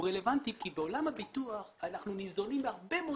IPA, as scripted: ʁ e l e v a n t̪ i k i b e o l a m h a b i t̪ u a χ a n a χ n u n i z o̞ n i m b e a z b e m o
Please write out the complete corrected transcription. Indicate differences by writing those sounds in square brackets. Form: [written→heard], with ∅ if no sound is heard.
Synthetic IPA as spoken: ʁ e l e v a n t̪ i k i b e o l a m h a b i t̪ u a χ a n a χ n u n i z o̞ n i m b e a [z→ʁ] b e m o